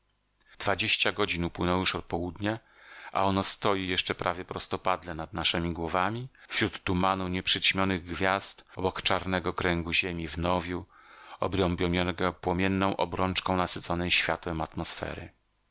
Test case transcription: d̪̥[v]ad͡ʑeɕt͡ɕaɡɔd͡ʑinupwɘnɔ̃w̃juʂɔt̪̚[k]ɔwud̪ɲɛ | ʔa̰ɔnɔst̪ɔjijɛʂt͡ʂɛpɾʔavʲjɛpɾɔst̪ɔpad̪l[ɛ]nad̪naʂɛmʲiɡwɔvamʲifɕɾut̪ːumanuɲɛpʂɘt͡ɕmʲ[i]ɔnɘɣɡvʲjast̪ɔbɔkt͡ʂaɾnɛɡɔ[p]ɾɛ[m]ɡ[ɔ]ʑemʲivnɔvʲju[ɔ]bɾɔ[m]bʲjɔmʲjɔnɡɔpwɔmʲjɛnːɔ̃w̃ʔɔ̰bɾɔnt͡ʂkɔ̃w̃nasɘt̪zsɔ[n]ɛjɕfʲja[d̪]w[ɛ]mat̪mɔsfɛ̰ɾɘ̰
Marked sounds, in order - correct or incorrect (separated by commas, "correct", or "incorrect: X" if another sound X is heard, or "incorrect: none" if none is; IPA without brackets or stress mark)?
correct, incorrect: p, correct, incorrect: j, incorrect: k, incorrect: ŋ, incorrect: u, correct, correct, correct, incorrect: t̪, correct